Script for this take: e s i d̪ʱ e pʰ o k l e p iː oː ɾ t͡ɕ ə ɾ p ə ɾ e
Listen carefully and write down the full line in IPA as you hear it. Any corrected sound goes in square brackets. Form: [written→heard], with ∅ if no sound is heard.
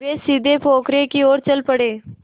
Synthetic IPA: e s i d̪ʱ e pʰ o k [l→ɾ] e [p→k] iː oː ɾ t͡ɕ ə [ɾ→l] p ə [ɾ→ɽ] e

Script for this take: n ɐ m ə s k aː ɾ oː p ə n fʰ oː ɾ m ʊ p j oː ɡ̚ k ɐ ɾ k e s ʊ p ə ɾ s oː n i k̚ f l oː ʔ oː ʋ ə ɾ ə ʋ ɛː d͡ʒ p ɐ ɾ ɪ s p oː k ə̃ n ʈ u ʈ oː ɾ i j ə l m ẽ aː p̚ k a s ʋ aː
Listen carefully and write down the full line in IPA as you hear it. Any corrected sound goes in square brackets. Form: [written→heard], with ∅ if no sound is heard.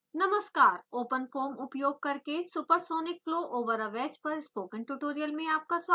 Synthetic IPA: n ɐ m ə s k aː ɾ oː p ə n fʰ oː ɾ m ʊ p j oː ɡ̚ k ɐ ɾ k e s ʊ p ə ɾ s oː n [i→ɪ] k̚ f l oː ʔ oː ʋ ə ɾ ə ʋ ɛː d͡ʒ p ɐ ɾ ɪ s p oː k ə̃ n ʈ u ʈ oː ɾ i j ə l m ẽ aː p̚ k a s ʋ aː

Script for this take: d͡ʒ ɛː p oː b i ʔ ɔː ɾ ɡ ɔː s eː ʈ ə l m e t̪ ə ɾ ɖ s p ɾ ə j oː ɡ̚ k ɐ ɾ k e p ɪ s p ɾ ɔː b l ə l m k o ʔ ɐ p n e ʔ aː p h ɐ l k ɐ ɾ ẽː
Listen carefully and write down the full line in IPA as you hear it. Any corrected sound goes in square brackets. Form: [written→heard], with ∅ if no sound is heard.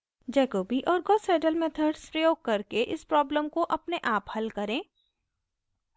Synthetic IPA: d͡ʒ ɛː [p→k] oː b i ʔ ɔː ɾ ɡ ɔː s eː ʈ ə l m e [t̪→t̪ʰ] ə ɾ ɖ s p ɾ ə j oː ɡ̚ k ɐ ɾ k e [p→ʔ] ɪ s p ɾ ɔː b l ə [l→∅] m k o ʔ ɐ p n e ʔ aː p h ɐ l k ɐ ɾ ẽː

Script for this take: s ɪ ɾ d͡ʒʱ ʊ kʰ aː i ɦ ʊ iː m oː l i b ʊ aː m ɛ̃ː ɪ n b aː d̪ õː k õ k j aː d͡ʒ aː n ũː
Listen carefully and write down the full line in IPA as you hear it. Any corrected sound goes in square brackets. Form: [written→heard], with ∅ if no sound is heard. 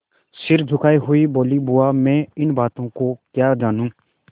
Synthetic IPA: s ɪ ɾ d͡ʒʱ ʊ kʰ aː i ɦ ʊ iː [m→b] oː l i b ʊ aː m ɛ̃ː ɪ n b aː [d̪→t̪] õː k [õ→o] k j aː d͡ʒ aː n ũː

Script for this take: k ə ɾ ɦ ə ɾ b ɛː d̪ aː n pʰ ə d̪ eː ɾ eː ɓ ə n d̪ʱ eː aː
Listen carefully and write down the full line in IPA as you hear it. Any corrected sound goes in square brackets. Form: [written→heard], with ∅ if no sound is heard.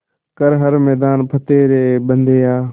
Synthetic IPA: k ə ɾ ɦ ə ɾ [b→m] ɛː d̪ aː n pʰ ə [d̪→t̪] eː ɾ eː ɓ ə n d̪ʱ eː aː

